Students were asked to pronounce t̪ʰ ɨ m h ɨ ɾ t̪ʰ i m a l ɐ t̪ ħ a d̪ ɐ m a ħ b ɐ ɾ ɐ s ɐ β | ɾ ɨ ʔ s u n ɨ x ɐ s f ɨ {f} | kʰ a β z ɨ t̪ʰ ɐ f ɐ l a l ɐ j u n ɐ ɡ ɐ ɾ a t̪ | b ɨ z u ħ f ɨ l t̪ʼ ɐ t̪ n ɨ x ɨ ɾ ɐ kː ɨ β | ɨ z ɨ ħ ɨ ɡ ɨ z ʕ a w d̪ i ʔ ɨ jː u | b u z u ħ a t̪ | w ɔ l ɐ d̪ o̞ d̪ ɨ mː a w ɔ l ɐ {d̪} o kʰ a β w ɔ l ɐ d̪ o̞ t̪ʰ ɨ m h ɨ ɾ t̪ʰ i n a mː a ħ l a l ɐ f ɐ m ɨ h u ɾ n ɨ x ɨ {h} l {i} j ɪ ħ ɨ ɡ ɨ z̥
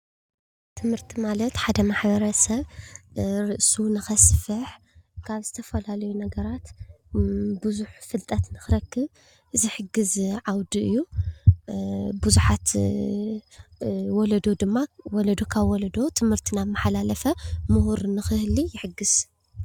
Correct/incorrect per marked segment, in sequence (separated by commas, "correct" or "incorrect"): incorrect, correct, correct, correct